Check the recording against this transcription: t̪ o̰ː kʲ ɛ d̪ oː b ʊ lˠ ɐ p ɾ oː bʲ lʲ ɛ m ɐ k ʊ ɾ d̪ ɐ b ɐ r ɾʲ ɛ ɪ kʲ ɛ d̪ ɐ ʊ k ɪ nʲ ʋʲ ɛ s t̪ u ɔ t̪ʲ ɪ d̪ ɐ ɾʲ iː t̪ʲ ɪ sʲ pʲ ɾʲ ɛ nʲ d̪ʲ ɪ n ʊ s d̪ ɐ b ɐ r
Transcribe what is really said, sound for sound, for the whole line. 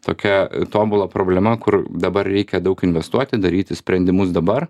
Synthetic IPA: t̪ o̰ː kʲ ɛ t̪ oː b ʊ lˠ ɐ p ɾ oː bʲ lʲ ɛ m ɐ k ʊ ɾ d̪ ɐ b ɐ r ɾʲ ɛ ɪ kʲ ɛ d̪ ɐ ʊ k ɪ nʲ ʋʲ ɛ s t̪ u ɔ t̪ʲ ɪ d̪ ɐ ɾʲ iː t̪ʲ ɪ sʲ pʲ ɾʲ ɛ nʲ d̪ʲ ɪ m ʊ s d̪ ɐ b ɐ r